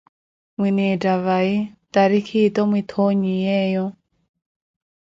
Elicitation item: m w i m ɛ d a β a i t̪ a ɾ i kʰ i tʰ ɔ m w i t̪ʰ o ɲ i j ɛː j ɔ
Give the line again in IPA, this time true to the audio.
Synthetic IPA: m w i n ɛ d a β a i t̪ a ɾ i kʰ i t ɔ m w i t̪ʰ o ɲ i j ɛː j ɔ